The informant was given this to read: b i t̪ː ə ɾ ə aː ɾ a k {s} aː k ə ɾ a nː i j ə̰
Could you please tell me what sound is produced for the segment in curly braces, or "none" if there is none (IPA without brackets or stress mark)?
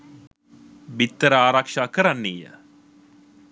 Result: ʂ